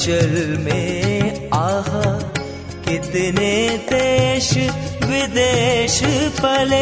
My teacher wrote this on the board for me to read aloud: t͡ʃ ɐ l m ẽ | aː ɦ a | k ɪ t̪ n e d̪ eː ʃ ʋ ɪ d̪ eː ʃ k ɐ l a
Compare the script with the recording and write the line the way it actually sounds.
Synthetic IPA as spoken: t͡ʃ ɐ l m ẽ | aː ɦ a | k ɪ t̪ n e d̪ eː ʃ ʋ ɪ d̪ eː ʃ p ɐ l e